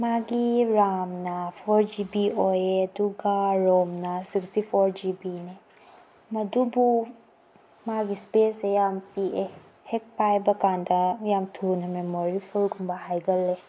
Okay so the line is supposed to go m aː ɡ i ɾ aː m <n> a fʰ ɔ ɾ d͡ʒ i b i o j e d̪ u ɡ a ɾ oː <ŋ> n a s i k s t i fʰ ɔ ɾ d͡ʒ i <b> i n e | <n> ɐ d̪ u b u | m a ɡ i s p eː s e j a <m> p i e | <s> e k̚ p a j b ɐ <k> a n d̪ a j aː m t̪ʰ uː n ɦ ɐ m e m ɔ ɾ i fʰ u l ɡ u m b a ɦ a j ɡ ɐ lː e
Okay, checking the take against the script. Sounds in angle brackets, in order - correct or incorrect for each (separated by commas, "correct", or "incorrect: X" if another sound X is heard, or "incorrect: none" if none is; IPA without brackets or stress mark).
correct, incorrect: m, correct, incorrect: m, correct, incorrect: h, correct